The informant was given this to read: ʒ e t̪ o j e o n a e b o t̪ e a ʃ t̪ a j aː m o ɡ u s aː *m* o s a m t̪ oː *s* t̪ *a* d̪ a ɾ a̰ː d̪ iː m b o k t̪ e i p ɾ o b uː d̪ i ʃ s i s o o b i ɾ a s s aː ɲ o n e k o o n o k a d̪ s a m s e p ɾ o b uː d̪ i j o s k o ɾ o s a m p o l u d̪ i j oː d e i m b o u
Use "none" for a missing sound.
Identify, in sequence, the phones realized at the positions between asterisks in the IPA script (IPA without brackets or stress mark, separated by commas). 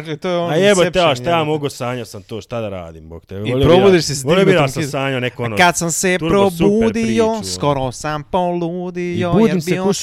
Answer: ɲ, ʃ, a